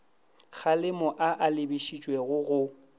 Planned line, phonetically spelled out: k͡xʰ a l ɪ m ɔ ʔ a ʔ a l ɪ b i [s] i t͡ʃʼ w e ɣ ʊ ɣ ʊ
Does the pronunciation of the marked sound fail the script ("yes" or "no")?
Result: yes